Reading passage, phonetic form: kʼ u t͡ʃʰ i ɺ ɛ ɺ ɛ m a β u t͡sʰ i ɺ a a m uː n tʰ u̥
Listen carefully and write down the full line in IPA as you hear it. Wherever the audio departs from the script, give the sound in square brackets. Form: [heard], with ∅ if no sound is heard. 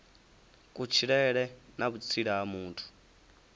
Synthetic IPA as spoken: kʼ u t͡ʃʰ i ɺ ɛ ɺ ɛ [n] a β u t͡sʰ i ɺ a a m uː n tʰ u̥